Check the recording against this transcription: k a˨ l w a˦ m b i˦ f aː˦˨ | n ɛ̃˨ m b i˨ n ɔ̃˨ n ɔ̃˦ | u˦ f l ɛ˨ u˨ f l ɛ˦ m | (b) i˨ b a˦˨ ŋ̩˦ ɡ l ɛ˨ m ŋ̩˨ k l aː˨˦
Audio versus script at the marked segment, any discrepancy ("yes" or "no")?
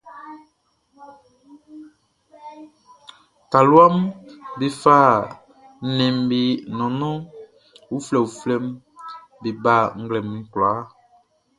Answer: no